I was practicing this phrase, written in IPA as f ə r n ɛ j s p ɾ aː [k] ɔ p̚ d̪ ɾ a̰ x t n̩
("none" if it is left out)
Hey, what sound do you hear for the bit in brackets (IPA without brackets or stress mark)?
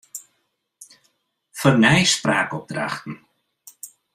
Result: k